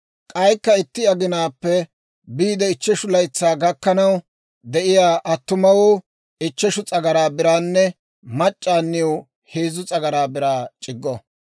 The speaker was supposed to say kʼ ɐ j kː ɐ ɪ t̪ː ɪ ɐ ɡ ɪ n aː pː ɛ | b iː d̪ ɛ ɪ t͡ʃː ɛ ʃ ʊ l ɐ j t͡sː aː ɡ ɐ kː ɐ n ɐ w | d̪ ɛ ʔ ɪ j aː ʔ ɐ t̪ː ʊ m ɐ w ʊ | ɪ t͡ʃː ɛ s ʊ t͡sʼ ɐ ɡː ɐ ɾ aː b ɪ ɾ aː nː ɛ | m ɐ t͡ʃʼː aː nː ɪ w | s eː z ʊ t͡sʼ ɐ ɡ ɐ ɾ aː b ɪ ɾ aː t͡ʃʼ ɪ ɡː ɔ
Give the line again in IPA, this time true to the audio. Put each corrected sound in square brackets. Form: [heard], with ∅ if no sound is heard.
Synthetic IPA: kʼ ɐ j kː ɐ ɪ t̪ː ɪ ɐ ɡ ɪ n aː pː ɛ | b iː d̪ ɛ ɪ t͡ʃː ɛ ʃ ʊ l ɐ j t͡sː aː ɡ ɐ kː ɐ n ɐ w | d̪ ɛ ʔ ɪ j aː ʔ ɐ t̪ː ʊ m ɐ w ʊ | ɪ t͡ʃː ɛ [ʃ] ʊ t͡sʼ ɐ [ɡ] ɐ ɾ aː b ɪ ɾ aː nː ɛ | m ɐ t͡ʃʼː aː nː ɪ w | [h] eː z ʊ t͡sʼ ɐ ɡ ɐ ɾ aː b ɪ ɾ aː t͡ʃʼ ɪ ɡː ɔ